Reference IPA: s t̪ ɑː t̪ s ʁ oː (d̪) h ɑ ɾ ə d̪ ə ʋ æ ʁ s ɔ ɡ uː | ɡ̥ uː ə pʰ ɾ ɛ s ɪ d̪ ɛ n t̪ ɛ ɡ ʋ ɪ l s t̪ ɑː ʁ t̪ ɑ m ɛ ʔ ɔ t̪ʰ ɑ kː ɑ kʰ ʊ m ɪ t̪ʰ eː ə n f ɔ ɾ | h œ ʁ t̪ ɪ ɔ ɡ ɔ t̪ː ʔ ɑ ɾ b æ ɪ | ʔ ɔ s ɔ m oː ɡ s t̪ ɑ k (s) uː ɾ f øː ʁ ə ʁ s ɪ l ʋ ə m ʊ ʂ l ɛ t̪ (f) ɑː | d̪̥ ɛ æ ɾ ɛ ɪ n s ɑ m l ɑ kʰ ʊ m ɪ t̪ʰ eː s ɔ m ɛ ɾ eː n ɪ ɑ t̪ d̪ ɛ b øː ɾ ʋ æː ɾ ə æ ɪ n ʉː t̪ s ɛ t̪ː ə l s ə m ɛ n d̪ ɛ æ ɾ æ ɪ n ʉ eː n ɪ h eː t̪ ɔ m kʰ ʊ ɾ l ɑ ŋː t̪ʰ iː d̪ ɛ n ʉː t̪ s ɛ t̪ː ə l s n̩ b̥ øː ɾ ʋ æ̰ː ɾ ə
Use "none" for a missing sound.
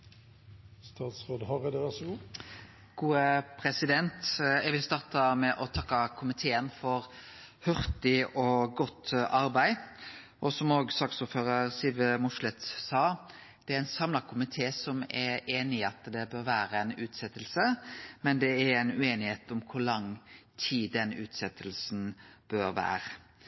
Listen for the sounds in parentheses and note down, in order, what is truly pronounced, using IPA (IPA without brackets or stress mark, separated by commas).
d̪, s, s